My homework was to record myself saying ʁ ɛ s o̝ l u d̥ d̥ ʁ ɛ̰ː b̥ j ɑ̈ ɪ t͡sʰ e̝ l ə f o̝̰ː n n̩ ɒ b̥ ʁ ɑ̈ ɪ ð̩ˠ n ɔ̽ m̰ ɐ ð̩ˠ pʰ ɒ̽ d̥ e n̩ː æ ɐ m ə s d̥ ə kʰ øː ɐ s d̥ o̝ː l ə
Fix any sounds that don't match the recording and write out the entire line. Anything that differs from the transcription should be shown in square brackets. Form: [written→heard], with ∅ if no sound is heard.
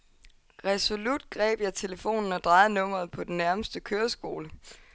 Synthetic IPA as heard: ʁ ɛ s o̝ l u d̥ [d̥→ɡ̥] ʁ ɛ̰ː b̥ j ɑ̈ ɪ t͡sʰ e̝ l ə f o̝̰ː n n̩ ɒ [b̥→d̥] ʁ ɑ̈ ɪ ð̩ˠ n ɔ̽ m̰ ɐ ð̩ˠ pʰ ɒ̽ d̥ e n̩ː æ ɐ m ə s d̥ ə kʰ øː ɐ s [d̥→ɡ̥] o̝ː l ə